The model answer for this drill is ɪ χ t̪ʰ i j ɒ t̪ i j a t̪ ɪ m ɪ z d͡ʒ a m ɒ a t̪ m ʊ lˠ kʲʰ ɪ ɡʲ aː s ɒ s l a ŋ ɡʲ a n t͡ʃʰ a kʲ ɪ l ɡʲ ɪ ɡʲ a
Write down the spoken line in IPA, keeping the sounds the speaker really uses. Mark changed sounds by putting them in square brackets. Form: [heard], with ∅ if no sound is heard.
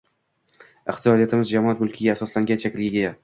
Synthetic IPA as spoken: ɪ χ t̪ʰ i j ɒ [d̪] i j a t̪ ɪ m ɪ z d͡ʒ a m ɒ a t̪ m ʊ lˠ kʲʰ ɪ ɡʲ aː s ɒ s l a ŋ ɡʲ a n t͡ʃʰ a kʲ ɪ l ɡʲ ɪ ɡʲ a